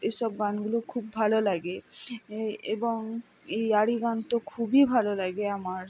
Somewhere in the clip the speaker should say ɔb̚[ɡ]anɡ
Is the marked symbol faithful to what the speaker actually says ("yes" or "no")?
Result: yes